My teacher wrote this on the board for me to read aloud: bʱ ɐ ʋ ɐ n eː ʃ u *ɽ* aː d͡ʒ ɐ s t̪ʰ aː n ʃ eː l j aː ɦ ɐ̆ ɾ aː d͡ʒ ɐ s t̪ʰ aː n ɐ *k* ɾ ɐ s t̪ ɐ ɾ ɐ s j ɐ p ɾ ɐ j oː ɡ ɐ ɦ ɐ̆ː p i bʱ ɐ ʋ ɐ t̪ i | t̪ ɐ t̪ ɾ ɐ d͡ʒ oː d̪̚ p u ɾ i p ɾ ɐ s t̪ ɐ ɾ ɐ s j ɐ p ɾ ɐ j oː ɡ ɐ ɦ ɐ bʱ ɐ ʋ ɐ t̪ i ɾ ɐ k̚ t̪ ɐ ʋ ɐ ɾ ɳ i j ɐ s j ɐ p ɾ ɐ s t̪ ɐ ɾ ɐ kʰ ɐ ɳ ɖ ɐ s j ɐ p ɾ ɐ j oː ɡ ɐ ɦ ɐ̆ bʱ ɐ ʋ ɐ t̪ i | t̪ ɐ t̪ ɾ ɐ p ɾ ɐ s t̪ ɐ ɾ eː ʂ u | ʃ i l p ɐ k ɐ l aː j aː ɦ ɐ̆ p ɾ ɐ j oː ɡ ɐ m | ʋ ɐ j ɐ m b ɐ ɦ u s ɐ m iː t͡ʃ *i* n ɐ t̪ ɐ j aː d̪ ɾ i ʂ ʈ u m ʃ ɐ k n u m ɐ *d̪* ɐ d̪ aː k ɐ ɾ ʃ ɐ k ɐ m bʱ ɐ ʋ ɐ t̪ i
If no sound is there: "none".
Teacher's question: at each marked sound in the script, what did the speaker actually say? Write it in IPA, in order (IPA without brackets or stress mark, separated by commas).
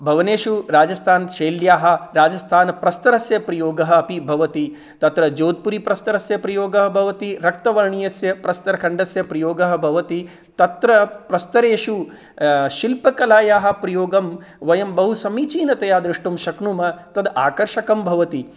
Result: ɾ, p, iː, t̪